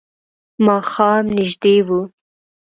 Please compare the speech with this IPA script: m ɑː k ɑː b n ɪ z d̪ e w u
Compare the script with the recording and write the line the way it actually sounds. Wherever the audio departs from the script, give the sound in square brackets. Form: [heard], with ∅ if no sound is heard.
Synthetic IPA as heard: m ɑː [x] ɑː [m] n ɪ [ʒ] d̪ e w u

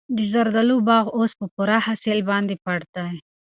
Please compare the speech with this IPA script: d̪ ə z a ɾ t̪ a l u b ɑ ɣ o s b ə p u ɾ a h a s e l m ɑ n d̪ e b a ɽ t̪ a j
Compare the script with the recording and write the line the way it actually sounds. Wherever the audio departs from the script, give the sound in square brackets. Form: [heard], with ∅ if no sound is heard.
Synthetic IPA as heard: d̪ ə z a ɾ [d̪] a l u b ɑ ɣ o s [p] ə p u ɾ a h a s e l [b] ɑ n d̪ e [p] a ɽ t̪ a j

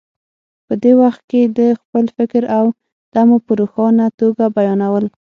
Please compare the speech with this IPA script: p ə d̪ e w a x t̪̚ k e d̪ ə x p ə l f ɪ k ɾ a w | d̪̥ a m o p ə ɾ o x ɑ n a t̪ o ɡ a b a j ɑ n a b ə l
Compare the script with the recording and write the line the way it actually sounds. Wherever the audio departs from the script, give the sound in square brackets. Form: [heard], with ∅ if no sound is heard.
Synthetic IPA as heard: p ə d̪ e w a x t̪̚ k e d̪ ə x p ə l f ɪ k ɾ a w | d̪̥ a m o p ə ɾ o x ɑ n a t̪ o ɡ a b a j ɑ n a [w] ə l

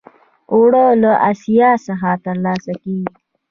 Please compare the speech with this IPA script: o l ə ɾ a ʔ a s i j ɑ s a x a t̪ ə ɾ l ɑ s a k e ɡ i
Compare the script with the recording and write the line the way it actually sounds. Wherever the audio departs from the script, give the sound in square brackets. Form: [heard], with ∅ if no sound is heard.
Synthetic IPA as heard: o [ɽ] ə [l] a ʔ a s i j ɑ s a x a t̪ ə ɾ l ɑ s a k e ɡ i

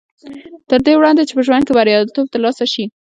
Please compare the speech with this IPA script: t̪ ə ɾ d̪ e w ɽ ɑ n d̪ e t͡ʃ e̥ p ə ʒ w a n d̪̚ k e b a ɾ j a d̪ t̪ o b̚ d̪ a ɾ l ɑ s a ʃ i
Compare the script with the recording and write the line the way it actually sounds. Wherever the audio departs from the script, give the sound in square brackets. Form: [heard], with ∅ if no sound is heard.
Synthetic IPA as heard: t̪ ə ɾ d̪ e w ɽ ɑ n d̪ e t͡ʃ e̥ p ə ʒ w a n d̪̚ k e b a ɾ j [ɑ] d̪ t̪ o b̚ [t̪] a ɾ l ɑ s a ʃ i

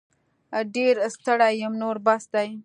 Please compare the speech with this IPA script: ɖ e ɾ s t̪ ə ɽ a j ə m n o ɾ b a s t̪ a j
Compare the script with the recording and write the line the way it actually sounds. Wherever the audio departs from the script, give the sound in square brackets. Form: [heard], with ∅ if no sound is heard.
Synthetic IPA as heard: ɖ e ɾ s t̪ ə ɽ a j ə m n o ɾ b a s [d̪] a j

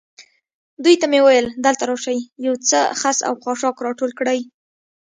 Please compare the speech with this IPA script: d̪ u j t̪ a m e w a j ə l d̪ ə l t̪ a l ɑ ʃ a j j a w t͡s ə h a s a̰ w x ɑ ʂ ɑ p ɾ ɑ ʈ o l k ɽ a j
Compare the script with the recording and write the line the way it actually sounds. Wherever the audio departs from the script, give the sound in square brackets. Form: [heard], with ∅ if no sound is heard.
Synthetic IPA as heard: d̪ u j t̪ a m e w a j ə l d̪ ə l t̪ a [ɾ] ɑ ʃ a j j a w t͡s ə [x] a s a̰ w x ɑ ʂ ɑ [k] ɾ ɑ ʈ o l k ɽ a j

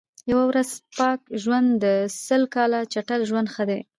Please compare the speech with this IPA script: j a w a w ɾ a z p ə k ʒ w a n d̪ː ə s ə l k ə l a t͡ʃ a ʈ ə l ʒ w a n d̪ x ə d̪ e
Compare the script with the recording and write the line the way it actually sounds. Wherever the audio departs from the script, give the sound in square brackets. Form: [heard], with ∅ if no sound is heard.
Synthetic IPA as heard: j a w a w ɾ a z p [ɑ] k ʒ w a n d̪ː ə s ə l k [ɑ] l a t͡ʃ a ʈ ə l ʒ w a n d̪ x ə d̪ e

